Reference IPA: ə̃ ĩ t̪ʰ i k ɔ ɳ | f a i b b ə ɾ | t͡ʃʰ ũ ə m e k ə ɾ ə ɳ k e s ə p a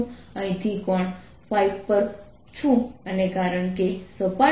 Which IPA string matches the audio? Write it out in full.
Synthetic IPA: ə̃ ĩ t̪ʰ i k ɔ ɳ | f a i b p ə ɾ | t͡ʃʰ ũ ə n e k a ɾ ə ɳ k e s ə p a